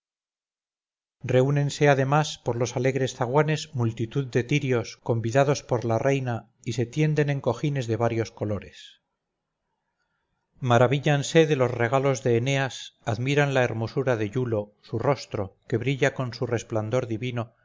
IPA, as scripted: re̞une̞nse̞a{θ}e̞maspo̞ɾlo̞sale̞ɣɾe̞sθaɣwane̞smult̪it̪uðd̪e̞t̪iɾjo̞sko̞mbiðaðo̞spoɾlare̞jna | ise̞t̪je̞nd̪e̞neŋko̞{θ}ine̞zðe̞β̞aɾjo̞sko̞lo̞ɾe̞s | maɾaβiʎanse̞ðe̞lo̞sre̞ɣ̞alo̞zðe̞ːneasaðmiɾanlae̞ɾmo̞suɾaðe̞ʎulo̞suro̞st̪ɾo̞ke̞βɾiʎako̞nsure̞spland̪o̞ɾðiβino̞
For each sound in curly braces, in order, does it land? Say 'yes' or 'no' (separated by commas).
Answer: no, no